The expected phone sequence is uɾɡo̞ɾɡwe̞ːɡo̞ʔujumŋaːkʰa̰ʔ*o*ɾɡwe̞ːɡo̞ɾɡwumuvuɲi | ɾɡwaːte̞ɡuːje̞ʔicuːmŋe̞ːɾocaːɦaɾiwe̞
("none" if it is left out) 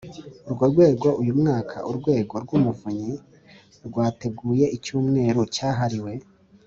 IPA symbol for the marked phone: u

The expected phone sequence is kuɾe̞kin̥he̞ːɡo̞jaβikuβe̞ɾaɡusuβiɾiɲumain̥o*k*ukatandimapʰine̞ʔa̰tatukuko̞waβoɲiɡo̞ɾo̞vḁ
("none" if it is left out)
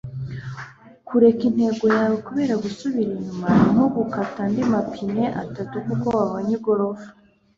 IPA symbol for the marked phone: ɡ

